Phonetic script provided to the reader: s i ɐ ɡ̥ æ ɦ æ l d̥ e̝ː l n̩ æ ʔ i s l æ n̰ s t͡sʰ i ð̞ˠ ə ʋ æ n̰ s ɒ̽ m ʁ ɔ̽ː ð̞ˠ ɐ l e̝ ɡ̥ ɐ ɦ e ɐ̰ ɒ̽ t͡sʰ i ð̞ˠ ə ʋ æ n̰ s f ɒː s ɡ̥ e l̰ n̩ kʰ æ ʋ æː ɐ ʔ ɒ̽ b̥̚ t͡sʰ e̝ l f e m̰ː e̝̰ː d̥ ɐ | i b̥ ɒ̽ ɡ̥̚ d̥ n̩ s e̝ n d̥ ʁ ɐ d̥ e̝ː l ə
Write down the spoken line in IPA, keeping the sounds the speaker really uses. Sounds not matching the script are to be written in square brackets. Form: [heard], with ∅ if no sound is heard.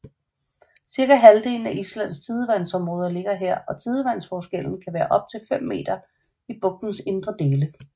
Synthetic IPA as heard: s i ɐ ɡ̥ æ ɦ æ l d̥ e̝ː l n̩ æ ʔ i s l æ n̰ s t͡sʰ i ð̞ˠ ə ʋ æ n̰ s ɒ̽ m ʁ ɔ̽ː ð̞ˠ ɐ l e̝ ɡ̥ ɐ ɦ e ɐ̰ ɒ̽ t͡sʰ i ð̞ˠ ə ʋ æ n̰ s f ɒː s ɡ̥ e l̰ n̩ kʰ æ ʋ æː ɐ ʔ ɒ̽ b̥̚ t͡sʰ e̝ l f e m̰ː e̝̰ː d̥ ɐ | i b̥ [ɔ̽] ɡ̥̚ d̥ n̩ s e̝ n d̥ ʁ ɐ d̥ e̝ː l ə

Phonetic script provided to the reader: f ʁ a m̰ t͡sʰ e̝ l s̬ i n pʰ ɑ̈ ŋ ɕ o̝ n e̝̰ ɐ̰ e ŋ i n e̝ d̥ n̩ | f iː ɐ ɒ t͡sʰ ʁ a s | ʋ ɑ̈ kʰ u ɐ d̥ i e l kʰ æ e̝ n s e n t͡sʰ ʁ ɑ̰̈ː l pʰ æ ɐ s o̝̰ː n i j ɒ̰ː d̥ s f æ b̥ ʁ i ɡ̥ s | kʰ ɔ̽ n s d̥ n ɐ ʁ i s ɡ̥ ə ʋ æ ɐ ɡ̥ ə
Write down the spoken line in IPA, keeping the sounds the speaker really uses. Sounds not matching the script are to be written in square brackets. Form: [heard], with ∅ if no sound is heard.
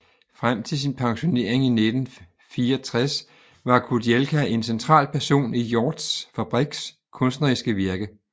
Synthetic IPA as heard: f ʁ a m̰ t͡sʰ e̝ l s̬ i n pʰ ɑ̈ ŋ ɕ o̝ n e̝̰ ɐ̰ e ŋ i n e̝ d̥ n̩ | f iː ɐ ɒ t͡sʰ ʁ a s | ʋ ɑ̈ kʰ u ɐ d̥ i e l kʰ æ e̝ n s e n t͡sʰ ʁ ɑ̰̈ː l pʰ æ ɐ s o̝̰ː n i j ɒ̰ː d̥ s f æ b̥ ʁ i ɡ̥ s | kʰ ɔ̽ n s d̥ n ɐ ʁ i s ɡ̥ ə ʋ [i] ɐ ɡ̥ ə

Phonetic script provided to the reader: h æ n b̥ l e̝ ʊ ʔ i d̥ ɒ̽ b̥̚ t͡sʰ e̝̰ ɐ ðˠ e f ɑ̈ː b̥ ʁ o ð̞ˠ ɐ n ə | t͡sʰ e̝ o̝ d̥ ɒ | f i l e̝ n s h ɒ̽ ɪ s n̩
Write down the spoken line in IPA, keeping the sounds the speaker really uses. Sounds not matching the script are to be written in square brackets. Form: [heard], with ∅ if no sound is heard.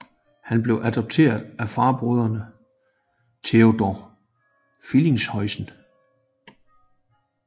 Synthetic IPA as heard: h æ n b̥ l e̝ ʊ ʔ [æ] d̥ ɒ̽ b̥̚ t͡sʰ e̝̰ ɐ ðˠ [æ] f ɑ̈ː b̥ ʁ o ð̞ˠ ɐ n ə | t͡sʰ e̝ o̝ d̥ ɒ | f i l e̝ [ŋ] s h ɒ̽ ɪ s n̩

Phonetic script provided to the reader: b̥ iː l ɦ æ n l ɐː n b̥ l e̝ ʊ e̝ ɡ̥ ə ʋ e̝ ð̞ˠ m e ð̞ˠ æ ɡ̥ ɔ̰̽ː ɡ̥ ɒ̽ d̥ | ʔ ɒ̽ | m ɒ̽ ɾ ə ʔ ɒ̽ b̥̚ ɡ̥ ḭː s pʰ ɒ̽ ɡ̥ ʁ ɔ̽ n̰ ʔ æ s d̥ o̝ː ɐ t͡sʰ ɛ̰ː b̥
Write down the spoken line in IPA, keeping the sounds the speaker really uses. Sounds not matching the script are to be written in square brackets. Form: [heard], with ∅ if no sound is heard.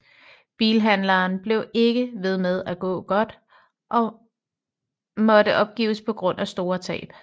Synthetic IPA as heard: b̥ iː l ɦ æ n l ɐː n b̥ l e̝ ʊ e̝ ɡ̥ ə ʋ e̝ ð̞ˠ m e ð̞ˠ æ ɡ̥ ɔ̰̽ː ɡ̥ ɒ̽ d̥ | ʔ ɒ̽ | m ɒ̽ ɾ ə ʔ ɒ̽ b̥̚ ɡ̥ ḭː s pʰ ɒ̽ ɡ̥ ʁ ɔ̽ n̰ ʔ æ s d̥ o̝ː ɐ t͡sʰ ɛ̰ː b̥

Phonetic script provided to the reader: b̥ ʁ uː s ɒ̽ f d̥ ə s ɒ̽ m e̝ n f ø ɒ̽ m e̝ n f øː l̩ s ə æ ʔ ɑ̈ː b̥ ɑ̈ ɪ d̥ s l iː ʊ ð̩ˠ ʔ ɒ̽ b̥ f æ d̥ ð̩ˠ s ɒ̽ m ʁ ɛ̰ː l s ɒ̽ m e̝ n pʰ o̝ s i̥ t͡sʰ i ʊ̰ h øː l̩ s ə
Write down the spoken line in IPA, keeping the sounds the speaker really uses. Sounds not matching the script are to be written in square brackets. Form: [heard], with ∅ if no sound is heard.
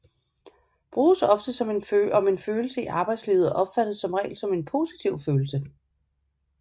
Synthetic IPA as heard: b̥ ʁ uː s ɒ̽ f d̥ ə s ɒ̽ m e̝ n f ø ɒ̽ m e̝ n f øː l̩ s ə [i] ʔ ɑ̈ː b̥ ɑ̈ ɪ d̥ s l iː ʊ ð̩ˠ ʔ ɒ̽ b̥ f æ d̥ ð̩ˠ s ɒ̽ m ʁ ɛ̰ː l s ɒ̽ m e̝ n pʰ o̝ s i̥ t͡sʰ i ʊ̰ [f] øː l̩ s ə

